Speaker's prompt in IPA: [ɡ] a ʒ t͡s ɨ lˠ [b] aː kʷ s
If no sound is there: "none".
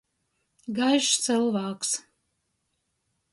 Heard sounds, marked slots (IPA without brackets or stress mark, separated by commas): ɡ, v